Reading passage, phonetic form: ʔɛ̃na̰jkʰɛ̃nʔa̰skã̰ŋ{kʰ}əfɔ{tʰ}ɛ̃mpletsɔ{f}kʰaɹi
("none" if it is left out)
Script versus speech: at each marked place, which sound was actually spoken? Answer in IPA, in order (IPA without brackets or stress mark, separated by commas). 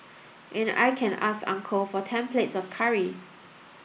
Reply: kʰ, tʰ, f